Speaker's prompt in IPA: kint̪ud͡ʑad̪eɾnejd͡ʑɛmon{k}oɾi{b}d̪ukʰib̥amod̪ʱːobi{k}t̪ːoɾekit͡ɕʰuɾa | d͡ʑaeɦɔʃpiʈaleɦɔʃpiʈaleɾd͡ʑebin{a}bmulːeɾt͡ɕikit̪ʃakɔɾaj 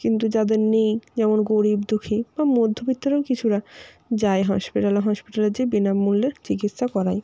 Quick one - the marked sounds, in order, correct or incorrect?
incorrect: ɡ, correct, incorrect: none, correct

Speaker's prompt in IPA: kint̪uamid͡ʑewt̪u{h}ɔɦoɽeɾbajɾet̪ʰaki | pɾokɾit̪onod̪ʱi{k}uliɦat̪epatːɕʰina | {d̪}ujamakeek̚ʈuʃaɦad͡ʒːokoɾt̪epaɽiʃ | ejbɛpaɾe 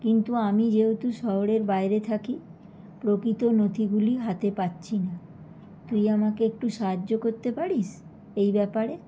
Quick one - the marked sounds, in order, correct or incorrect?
incorrect: ʃ, incorrect: ɡ, incorrect: t̪

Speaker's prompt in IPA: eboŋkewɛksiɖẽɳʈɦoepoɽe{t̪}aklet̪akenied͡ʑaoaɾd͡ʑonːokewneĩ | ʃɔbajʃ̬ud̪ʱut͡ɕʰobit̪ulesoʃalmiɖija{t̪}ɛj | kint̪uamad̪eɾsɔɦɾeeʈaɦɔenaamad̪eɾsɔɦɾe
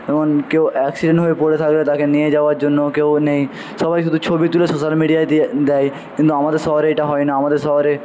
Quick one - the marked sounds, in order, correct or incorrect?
incorrect: t̪ʰ, incorrect: d̪

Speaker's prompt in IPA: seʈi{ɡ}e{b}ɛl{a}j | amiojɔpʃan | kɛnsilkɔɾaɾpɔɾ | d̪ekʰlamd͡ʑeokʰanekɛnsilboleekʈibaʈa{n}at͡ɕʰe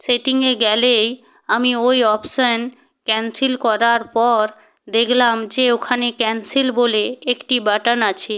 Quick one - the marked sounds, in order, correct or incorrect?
incorrect: ŋ, incorrect: ɡ, incorrect: e, correct

